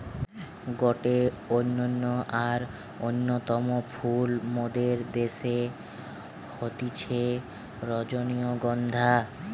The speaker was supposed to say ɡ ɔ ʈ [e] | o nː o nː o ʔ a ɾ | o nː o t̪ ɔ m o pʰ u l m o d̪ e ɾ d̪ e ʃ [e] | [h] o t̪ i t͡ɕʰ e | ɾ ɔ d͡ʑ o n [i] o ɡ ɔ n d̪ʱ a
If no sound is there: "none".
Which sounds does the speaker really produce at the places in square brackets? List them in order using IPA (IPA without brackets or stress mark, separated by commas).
e, e, h, i